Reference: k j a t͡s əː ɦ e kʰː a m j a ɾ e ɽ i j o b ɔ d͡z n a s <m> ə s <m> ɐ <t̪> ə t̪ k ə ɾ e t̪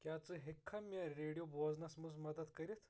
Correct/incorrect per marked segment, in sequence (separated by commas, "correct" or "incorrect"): correct, correct, incorrect